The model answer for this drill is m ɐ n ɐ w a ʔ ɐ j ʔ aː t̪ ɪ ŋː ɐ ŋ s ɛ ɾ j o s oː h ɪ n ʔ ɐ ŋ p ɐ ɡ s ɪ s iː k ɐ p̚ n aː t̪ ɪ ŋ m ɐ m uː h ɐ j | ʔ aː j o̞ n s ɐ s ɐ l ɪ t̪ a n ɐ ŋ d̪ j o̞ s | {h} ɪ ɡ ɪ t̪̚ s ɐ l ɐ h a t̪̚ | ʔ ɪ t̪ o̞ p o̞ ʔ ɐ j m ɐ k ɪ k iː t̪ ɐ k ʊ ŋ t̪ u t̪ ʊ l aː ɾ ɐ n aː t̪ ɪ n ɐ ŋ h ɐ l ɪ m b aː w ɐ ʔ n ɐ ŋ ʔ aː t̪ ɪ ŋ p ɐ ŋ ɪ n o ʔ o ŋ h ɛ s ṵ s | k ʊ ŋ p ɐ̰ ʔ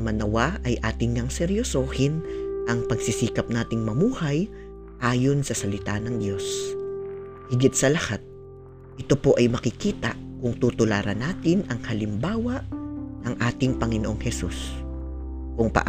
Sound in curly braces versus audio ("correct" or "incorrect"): correct